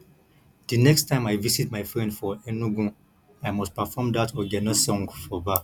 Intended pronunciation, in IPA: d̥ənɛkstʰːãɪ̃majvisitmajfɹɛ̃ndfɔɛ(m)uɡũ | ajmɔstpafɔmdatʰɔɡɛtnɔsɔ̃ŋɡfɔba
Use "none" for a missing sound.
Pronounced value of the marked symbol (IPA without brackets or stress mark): n